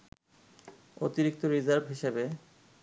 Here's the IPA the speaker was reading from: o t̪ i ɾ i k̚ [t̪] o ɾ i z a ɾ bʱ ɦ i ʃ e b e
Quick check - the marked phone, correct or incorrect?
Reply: correct